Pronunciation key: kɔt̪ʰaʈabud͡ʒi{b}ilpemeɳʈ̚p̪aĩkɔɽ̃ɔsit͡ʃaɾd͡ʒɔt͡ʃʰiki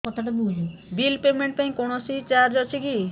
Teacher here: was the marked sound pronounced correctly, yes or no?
yes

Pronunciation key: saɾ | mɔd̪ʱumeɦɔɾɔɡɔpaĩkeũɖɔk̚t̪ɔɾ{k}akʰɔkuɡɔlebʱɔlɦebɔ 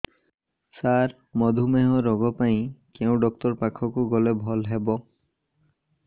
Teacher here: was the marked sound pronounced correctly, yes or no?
no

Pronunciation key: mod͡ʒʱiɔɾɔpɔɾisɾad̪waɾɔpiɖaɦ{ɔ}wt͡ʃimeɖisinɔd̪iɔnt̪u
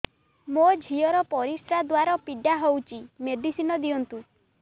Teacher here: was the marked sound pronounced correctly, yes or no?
no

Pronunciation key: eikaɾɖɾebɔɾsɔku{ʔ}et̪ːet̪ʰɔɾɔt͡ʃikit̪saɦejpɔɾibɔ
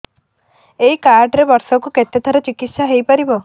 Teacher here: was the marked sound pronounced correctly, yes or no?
no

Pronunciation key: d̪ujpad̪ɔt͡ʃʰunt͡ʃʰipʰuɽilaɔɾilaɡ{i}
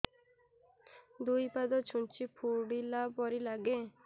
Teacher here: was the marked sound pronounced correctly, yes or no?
no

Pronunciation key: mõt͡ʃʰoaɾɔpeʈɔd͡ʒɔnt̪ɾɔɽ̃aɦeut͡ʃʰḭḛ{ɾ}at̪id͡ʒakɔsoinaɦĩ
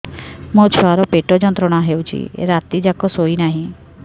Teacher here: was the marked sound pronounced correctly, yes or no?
yes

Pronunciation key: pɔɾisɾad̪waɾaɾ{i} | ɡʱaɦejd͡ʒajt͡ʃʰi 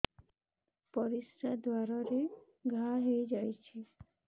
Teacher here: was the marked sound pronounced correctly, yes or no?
no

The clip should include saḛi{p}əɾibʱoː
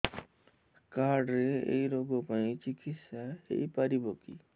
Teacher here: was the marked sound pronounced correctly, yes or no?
yes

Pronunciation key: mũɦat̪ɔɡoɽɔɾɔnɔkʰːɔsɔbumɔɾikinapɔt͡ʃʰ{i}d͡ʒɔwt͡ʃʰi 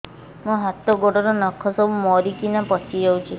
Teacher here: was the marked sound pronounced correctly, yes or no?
yes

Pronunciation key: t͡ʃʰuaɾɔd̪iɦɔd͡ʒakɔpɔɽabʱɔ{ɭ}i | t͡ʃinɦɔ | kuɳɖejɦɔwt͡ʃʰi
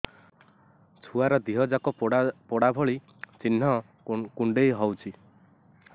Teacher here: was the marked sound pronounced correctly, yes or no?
yes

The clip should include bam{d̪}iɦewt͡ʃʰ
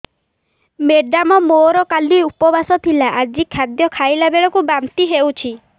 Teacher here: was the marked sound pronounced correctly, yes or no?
no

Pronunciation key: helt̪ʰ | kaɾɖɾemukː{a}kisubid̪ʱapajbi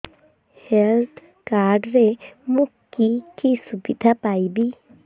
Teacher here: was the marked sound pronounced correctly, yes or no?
no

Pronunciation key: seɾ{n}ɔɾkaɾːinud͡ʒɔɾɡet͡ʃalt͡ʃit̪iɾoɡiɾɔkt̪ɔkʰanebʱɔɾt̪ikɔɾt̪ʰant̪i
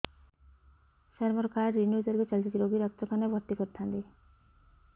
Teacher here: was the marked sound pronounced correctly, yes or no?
no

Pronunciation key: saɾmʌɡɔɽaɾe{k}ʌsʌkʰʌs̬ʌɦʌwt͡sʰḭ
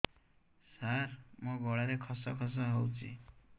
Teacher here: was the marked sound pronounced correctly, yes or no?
no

